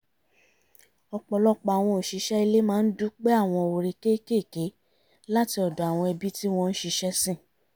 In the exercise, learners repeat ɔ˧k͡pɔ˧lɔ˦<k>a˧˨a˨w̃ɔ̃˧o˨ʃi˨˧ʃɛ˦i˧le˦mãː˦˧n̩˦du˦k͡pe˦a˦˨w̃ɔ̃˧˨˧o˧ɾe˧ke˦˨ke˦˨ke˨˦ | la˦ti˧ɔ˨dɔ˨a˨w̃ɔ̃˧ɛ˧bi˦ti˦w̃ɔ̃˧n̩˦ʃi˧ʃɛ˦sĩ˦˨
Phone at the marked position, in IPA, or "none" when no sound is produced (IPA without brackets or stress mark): k͡p